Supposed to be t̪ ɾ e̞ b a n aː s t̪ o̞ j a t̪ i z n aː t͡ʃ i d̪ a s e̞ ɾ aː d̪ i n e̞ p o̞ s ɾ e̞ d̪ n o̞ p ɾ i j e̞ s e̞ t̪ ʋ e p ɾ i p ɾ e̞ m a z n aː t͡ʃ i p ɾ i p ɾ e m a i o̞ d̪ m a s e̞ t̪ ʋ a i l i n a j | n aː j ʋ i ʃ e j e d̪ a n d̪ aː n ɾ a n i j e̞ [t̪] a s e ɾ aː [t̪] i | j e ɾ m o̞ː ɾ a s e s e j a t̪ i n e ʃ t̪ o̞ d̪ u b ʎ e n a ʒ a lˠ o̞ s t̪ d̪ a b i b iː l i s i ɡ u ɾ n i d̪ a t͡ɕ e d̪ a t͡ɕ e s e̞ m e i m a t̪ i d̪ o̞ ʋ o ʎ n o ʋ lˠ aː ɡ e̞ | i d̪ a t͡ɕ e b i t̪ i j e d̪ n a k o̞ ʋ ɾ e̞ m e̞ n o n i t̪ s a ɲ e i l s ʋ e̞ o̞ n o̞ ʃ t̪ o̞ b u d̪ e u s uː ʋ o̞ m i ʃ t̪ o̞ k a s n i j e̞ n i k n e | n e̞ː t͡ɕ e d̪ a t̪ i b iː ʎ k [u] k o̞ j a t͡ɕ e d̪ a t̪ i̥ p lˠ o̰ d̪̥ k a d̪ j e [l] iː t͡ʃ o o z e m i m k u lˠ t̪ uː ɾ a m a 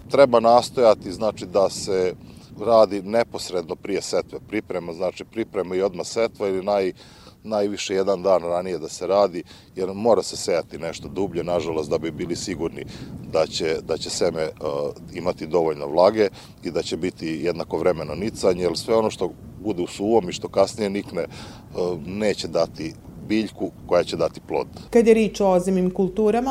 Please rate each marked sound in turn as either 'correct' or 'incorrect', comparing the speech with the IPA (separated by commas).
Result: incorrect, incorrect, correct, incorrect